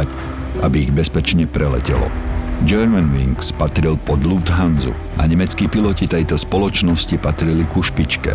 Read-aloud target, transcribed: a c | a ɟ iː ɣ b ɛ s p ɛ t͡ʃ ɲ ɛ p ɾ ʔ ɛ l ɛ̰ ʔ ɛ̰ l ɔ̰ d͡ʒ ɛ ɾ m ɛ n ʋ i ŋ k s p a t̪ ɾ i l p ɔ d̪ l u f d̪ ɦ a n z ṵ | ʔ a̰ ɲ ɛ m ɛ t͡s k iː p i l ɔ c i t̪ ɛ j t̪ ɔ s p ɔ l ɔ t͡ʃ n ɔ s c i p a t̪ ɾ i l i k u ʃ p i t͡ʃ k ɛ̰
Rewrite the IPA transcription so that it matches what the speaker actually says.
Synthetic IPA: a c | a b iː ɣ b ɛ s p ɛ t͡ʃ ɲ ɛ p ɾ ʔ ɛ l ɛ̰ c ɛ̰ l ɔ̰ d͡ʒ ɛ ɾ m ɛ n ʋ i ŋ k s p a t̪ ɾ i l p ɔ d̪ l u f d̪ ɦ a n z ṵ | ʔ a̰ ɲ ɛ m ɛ t͡s k iː p i l ɔ c i t̪ ɛ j t̪ ɔ s p ɔ l ɔ t͡ʃ n ɔ s c i p a t̪ ɾ i l i k u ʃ p i t͡ʃ k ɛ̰